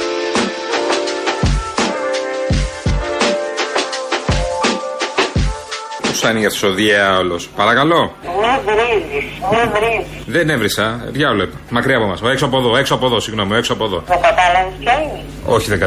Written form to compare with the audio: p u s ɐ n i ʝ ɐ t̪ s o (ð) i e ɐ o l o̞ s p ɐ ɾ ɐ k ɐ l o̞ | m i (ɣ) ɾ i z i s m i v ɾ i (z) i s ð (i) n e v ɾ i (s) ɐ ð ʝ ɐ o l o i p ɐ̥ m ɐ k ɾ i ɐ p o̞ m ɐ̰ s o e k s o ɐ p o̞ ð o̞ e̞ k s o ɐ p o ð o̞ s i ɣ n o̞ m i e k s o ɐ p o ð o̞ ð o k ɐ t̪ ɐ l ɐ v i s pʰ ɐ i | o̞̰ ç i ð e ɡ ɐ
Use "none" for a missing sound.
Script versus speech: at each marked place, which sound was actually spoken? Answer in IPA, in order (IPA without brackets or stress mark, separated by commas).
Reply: ð, v, z, e, s